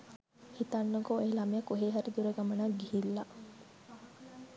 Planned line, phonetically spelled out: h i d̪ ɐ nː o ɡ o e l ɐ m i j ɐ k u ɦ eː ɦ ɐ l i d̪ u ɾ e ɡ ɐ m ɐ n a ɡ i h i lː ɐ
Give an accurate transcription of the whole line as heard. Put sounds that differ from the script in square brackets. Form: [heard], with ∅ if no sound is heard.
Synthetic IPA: h i [t̪] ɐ nː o ɡ o e l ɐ m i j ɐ k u ɦ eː ɦ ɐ [ɾ] i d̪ u ɾ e ɡ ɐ m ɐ n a ɡ i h i lː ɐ